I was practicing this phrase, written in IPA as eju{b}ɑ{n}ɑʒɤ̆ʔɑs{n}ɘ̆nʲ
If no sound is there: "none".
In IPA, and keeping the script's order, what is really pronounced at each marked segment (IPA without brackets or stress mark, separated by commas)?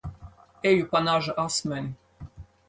p, n, m